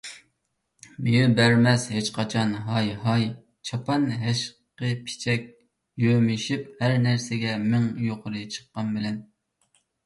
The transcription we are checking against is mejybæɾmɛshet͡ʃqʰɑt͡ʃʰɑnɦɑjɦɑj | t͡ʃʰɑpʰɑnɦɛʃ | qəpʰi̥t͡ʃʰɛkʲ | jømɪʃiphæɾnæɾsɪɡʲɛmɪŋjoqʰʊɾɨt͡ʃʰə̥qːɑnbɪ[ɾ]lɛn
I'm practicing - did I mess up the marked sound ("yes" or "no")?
yes